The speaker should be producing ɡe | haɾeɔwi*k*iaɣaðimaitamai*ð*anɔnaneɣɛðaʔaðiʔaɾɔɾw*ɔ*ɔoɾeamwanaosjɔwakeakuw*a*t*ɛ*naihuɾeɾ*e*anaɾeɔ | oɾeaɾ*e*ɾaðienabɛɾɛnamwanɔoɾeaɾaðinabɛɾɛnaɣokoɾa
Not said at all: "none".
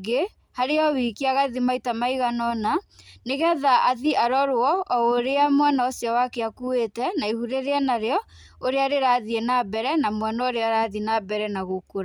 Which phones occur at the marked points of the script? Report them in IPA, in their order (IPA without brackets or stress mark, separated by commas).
k, ɣ, ɔ, e, ɛ, e, e